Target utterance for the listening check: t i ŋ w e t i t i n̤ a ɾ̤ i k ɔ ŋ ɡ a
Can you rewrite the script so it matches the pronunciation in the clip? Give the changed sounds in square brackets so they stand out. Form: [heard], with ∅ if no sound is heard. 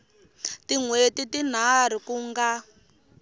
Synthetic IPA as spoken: t i ŋ w e t i t i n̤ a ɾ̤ i k [u] ŋ ɡ a